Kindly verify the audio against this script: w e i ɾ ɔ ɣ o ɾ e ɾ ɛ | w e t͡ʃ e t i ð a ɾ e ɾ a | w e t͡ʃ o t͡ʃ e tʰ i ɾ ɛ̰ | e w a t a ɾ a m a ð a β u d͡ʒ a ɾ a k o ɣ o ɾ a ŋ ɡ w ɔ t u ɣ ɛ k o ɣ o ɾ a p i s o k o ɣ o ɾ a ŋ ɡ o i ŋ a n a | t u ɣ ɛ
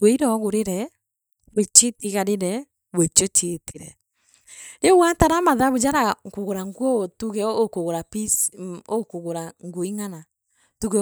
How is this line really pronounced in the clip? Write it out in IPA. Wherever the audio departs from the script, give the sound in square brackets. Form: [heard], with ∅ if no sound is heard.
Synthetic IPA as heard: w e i ɾ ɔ ɣ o ɾ e ɾ ɛ | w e t͡ʃ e t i [ɣ] a ɾ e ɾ [ɛ] | w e t͡ʃ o t͡ʃ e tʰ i ɾ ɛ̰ | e w a t a ɾ a m a ð a β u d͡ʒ a ɾ a k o ɣ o ɾ a ŋ ɡ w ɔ t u ɣ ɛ k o ɣ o ɾ a p i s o k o ɣ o ɾ a ŋ ɡ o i ŋ a n a | t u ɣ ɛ